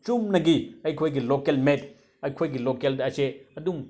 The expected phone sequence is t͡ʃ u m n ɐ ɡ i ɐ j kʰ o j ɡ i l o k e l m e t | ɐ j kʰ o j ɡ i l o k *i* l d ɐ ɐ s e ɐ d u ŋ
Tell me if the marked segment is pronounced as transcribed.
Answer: no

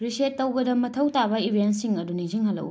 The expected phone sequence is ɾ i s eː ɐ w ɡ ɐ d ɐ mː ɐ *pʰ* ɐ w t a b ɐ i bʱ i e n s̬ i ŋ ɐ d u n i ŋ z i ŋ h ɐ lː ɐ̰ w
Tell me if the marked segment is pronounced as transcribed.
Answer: no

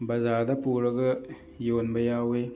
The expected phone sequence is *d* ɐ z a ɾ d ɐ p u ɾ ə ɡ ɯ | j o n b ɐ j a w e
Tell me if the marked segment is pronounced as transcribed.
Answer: no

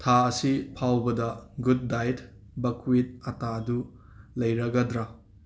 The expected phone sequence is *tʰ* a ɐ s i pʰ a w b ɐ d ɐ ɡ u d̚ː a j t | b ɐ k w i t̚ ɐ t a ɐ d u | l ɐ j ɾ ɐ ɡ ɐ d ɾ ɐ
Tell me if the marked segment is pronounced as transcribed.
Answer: yes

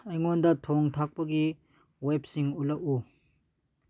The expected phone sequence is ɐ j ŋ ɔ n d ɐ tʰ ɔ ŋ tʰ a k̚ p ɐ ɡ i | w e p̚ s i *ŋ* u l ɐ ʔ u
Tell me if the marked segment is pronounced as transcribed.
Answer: yes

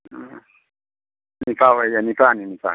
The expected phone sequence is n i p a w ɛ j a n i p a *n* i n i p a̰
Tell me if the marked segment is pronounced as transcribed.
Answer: yes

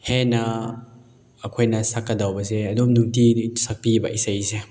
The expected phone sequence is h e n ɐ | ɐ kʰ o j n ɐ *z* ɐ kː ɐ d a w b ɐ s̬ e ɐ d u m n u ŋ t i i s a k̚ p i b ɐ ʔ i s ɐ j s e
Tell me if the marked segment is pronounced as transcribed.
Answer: no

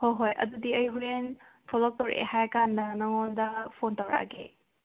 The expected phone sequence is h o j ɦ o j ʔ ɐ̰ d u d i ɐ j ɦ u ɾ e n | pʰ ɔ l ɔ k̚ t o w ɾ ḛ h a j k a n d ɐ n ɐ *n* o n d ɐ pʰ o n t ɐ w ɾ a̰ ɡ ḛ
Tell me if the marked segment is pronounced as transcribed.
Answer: no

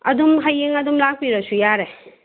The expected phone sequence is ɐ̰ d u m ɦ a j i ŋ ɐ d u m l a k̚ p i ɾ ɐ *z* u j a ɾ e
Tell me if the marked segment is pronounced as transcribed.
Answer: no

